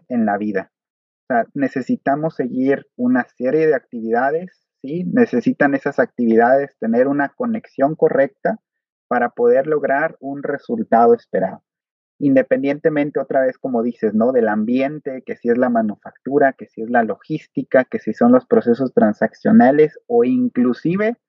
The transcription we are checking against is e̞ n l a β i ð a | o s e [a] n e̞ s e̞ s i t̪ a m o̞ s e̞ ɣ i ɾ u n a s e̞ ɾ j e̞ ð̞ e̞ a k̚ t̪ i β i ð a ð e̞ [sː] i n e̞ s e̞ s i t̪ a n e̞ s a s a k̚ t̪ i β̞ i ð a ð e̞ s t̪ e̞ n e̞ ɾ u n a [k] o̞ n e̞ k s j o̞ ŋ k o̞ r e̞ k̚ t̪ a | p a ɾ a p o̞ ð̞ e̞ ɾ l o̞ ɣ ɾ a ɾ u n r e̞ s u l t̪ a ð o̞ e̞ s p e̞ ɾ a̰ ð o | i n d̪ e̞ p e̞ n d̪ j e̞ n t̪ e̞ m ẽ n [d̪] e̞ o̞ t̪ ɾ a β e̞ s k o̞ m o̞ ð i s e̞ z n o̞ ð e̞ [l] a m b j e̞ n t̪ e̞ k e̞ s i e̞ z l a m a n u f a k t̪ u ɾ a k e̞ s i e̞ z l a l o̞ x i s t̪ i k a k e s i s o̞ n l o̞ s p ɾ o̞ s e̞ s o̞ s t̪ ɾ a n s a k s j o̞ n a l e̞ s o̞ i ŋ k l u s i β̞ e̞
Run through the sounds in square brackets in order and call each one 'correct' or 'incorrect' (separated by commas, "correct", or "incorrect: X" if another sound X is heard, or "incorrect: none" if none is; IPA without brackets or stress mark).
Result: correct, correct, correct, incorrect: t̪, correct